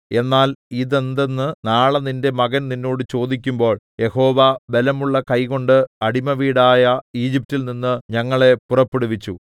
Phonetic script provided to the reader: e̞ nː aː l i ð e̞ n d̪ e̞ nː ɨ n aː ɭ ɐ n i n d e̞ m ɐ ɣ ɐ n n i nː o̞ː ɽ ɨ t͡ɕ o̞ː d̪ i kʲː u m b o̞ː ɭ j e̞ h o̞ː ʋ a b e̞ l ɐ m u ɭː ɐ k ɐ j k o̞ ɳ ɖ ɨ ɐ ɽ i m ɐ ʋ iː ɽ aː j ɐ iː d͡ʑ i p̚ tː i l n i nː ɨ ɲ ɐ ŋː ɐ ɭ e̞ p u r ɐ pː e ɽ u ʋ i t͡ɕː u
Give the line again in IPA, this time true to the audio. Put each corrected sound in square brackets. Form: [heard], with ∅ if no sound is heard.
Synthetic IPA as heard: e̞ nː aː l i ð e̞ n d̪ e̞ nː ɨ n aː ɭ ɐ n i n d e̞ m ɐ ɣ ɐ n n i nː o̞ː ɽ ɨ t͡ɕ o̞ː d̪ i kʲː u m b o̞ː ɭ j e̞ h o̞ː ʋ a b e̞ l ɐ m u ɭː ɐ k ɐ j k o̞ ɳ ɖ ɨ ɐ ɽ i m ɐ ʋ iː ɽ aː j ɐ iː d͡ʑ i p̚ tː i l n i nː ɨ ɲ ɐ ŋː ɐ ɭ e̞ p u r ɐ pː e ɽ u ʋ i t͡ɕː u

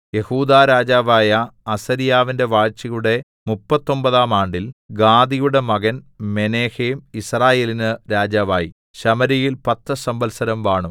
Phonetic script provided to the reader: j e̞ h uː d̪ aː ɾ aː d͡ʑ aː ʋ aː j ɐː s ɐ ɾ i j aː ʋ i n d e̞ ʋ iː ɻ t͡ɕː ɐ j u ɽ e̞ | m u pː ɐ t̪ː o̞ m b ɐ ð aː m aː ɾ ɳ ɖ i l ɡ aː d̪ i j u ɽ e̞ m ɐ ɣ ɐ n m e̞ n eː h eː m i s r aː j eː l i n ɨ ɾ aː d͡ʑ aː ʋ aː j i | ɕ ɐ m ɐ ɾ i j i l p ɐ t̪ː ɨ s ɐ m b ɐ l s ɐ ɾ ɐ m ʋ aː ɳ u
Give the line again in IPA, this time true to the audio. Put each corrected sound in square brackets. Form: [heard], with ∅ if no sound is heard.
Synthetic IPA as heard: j e̞ h uː d̪ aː ɾ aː d͡ʑ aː ʋ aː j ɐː s ɐ ɾ i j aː ʋ i n d e̞ ʋ [aː] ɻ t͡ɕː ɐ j u ɽ e̞ | m u pː ɐ t̪ː o̞ m b ɐ ð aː m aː [∅] ɳ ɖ i l ɡ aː d̪ i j u ɽ e̞ m ɐ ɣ ɐ n m e̞ n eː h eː m i s r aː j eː l i n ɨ ɾ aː d͡ʑ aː ʋ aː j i | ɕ ɐ m ɐ ɾ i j i l p ɐ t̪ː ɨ s ɐ m b ɐ l s ɐ ɾ ɐ m ʋ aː ɳ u

